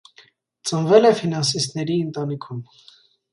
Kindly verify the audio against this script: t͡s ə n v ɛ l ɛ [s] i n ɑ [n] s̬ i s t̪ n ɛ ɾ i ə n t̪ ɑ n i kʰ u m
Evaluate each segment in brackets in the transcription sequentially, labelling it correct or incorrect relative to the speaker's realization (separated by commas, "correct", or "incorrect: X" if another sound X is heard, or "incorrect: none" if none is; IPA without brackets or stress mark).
incorrect: f, correct